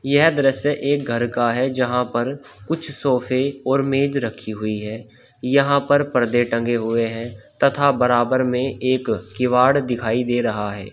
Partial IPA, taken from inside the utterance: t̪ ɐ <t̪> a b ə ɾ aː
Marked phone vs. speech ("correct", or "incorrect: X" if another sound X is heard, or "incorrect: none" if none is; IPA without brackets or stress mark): incorrect: t̪ʰ